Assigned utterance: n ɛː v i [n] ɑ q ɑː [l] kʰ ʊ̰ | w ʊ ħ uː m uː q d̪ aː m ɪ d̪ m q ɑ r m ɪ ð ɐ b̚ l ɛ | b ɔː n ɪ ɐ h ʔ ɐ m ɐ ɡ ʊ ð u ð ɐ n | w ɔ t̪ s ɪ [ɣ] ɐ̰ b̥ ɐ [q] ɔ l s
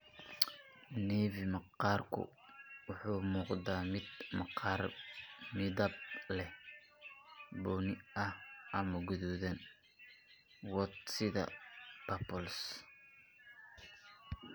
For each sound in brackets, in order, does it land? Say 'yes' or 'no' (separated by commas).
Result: no, no, no, no